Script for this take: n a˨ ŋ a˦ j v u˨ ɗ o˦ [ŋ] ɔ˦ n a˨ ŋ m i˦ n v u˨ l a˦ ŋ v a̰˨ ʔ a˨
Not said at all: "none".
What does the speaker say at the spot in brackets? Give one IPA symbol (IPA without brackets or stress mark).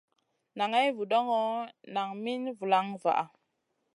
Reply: ŋ